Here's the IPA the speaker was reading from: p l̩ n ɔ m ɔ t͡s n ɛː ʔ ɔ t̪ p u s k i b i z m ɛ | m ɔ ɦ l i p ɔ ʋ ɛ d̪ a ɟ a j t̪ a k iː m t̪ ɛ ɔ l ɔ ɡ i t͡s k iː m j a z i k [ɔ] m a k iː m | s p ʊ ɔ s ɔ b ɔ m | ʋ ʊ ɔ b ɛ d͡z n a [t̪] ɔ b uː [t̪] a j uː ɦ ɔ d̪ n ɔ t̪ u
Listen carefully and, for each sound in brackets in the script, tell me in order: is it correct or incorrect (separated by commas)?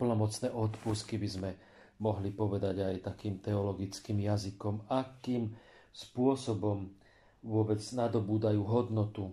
correct, incorrect, incorrect